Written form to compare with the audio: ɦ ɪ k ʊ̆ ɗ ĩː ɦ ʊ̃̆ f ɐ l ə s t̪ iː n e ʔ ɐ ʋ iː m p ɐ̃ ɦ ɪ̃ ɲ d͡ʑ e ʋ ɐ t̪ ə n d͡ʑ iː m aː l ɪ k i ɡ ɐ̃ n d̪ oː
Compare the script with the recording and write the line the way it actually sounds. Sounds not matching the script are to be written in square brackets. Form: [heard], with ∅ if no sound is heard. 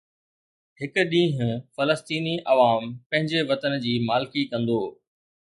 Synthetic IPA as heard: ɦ ɪ k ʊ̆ ɗ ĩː ɦ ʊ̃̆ f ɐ l ə s t̪ iː n [i] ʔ ɐ ʋ [aː] m p ɐ̃ ɦ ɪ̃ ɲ d͡ʑ e ʋ ɐ t̪ ə n d͡ʑ iː m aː l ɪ k i [k] ɐ̃ n d̪ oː